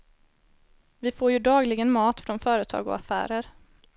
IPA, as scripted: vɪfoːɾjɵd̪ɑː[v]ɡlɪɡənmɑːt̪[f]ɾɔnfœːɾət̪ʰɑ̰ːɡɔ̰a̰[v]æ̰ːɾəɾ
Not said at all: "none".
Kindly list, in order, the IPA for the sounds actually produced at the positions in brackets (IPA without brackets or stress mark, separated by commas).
none, f, f